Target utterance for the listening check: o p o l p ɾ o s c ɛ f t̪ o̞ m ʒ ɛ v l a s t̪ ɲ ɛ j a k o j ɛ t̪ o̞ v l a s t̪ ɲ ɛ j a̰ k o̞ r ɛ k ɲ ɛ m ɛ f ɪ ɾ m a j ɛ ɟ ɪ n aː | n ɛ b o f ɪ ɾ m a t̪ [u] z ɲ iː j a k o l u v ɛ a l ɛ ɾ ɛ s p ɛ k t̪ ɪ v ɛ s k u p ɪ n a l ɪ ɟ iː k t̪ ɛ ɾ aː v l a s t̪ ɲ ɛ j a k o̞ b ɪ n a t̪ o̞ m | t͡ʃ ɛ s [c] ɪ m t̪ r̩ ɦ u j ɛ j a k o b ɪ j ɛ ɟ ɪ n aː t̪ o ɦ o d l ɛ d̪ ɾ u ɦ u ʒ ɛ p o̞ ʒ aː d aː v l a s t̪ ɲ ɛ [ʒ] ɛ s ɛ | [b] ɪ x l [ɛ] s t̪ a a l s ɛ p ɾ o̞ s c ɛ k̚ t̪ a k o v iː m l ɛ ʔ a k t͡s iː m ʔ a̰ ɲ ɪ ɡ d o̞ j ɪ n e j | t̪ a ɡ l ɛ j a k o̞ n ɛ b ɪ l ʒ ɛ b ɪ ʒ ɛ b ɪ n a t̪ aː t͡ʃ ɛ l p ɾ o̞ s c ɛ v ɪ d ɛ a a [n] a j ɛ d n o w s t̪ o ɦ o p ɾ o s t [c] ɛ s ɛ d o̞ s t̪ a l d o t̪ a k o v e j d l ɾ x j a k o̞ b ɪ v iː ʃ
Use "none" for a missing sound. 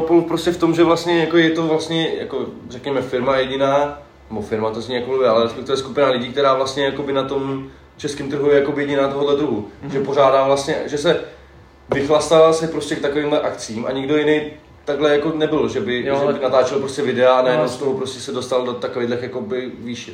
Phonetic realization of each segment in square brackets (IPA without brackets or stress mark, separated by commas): o, k, ʒ, v, a, n, c